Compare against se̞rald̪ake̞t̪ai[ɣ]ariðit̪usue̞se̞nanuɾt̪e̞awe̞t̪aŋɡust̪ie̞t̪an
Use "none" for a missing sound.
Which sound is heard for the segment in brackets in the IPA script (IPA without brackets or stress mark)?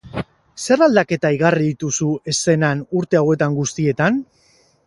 ɣ